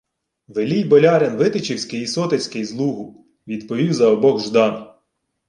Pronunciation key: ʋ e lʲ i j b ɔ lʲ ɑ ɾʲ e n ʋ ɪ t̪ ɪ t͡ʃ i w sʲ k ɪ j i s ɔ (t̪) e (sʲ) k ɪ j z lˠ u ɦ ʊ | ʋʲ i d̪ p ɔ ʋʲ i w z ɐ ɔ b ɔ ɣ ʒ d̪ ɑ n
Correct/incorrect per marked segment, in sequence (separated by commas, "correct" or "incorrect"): correct, correct